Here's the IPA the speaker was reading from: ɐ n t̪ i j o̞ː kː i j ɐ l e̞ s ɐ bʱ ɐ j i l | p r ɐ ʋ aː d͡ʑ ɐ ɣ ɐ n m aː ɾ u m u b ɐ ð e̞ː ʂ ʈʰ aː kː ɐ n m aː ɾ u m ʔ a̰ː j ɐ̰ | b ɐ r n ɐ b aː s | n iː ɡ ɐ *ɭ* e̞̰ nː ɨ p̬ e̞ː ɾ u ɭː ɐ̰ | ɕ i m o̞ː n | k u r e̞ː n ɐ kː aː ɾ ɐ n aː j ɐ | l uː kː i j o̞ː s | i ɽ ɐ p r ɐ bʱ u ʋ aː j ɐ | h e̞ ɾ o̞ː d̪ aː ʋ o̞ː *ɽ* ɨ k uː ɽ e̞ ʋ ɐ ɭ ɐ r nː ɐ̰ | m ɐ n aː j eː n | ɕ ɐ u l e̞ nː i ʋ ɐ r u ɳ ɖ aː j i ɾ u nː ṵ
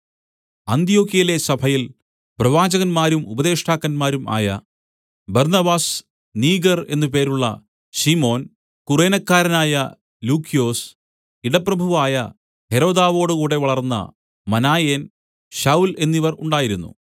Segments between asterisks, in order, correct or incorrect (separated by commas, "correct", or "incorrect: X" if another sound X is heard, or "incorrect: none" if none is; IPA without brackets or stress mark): incorrect: r, correct